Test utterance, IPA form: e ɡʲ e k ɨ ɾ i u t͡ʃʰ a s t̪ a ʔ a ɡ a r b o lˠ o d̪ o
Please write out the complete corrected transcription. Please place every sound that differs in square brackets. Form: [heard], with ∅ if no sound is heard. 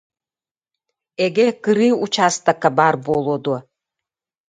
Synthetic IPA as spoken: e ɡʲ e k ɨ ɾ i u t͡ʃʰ a s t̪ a [k] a [b] a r b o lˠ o d̪ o